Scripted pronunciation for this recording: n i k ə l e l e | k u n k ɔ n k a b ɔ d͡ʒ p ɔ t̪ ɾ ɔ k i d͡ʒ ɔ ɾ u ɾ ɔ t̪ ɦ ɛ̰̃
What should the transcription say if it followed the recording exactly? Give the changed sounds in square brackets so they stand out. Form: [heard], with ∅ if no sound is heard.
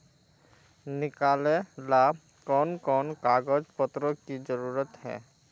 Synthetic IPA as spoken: n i k [a] l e l [a] | k [ɔ] n k ɔ n k a [ɡ] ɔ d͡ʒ p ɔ t̪ ɾ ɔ k i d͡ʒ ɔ ɾ u ɾ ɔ t̪ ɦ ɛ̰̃